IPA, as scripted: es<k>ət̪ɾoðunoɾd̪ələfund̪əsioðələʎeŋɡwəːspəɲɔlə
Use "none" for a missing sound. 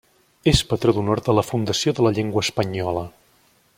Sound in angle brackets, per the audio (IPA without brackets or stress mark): p